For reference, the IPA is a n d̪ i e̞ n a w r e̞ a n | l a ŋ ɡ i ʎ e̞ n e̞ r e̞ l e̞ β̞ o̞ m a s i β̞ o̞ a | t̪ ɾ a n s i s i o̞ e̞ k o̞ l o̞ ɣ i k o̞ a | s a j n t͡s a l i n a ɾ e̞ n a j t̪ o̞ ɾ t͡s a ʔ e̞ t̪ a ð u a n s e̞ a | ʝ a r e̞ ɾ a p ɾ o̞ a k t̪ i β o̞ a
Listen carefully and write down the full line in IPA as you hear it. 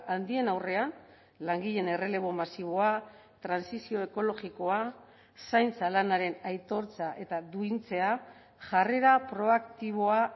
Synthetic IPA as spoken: a n d̪ i e̞ n a w r e̞ a n | l a ŋ ɡ i ʎ e̞ n e̞ r e̞ l e̞ β̞ o̞ m a s i β̞ o̞ a | t̪ ɾ a n s i s i o̞ e̞ k o̞ l o̞ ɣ i k o̞ a | s a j n t͡s a l a n a ɾ e̞ n a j t̪ o̞ ɾ t͡s a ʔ e̞ t̪ a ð u i n t͡s e̞ a | ʝ a r e̞ ɾ a p ɾ o̞ a k t̪ i β o̞ a